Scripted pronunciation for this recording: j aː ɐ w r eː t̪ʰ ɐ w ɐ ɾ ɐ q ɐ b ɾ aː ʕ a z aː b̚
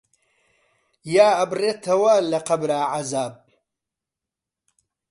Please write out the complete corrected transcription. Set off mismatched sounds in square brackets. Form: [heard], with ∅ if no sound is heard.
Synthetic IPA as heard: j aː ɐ [b] r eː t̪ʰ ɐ w ɐ [l] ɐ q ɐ b ɾ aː ʕ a z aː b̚